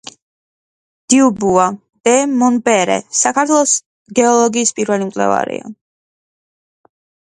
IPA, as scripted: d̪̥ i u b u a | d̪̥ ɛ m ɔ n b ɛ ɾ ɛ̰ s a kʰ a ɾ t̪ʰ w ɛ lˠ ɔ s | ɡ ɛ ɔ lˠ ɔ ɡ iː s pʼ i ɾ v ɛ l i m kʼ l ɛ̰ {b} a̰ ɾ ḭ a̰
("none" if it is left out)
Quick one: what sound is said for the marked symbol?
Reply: v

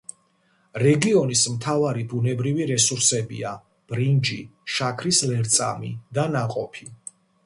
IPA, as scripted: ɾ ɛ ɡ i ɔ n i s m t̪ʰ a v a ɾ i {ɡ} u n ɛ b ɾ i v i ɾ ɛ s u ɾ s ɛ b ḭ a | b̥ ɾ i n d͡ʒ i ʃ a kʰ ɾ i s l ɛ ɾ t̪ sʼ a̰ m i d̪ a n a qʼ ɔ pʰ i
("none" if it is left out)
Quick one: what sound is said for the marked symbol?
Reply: b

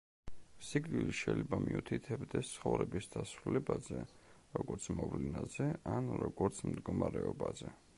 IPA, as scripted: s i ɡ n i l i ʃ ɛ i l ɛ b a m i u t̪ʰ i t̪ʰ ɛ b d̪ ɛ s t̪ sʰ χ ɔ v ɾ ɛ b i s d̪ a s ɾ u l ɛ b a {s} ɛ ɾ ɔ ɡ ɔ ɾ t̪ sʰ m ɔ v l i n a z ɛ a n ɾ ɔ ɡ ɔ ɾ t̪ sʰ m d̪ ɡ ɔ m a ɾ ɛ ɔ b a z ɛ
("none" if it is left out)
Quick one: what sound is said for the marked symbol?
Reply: z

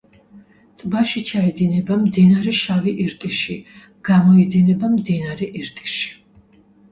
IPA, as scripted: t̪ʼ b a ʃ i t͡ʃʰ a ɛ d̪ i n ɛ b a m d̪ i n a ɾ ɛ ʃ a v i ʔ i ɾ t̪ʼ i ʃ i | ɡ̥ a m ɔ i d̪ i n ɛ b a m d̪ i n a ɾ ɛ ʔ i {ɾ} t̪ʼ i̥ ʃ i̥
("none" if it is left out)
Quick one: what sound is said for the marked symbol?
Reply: ɾ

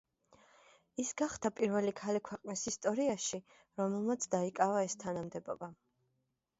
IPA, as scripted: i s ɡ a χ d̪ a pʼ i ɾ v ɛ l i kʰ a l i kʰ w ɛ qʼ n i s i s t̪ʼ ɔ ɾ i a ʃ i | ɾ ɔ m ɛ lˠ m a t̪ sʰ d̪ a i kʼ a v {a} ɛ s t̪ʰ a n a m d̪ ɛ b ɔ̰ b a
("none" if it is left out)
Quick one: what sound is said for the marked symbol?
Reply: a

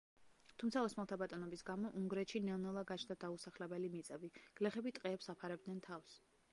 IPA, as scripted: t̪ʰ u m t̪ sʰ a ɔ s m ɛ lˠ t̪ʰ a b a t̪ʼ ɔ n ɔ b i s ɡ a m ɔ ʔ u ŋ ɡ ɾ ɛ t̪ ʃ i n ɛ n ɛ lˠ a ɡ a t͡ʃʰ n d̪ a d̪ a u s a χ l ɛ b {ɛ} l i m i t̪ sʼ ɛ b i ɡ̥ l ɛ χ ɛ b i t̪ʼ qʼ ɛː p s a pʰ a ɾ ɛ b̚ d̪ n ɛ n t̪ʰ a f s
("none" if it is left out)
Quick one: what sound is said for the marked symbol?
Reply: ɛ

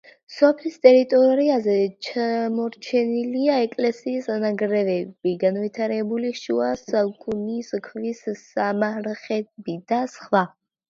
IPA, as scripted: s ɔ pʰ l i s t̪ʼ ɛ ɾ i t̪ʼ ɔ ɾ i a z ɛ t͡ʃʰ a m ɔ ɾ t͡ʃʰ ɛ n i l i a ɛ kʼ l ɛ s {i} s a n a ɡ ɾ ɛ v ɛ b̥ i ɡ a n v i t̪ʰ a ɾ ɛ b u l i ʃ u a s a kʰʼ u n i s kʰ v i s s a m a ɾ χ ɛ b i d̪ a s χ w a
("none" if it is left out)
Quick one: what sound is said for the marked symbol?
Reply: iː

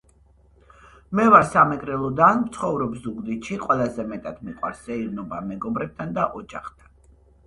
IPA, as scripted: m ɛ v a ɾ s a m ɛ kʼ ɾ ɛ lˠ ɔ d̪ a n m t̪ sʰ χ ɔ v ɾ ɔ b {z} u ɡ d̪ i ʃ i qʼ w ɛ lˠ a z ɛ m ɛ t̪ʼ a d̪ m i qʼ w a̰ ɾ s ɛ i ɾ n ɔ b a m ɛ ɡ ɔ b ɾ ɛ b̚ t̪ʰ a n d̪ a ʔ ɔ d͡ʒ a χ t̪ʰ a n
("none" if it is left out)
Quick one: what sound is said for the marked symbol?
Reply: z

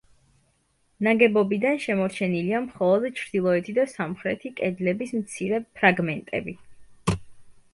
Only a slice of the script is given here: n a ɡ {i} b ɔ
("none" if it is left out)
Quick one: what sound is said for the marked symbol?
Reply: ɛ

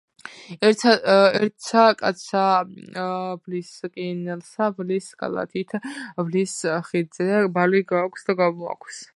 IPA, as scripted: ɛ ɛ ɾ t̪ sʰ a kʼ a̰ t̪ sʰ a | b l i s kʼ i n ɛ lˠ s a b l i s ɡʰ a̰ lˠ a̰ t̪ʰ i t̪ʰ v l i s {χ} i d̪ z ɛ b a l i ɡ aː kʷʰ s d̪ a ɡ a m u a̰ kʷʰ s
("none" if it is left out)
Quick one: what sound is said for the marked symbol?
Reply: χ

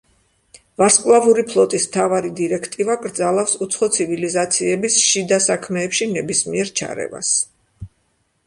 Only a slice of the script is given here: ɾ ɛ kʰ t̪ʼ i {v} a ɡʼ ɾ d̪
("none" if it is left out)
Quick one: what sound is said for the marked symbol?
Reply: v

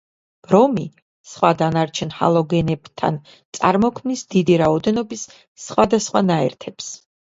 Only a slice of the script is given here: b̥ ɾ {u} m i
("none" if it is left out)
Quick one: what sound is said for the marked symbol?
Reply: ɔ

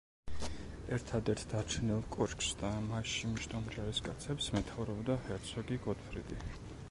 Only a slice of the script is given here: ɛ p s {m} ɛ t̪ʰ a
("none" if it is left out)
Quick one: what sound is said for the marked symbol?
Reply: m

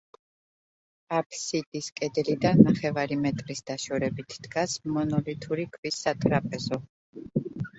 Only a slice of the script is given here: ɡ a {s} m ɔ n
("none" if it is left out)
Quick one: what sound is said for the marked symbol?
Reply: s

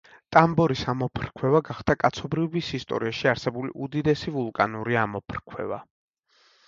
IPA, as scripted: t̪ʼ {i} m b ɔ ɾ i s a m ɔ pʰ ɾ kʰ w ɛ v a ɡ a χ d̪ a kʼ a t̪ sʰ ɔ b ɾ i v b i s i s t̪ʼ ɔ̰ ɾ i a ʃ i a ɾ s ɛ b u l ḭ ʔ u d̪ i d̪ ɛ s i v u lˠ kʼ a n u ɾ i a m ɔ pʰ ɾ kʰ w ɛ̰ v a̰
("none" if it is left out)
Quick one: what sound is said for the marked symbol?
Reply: a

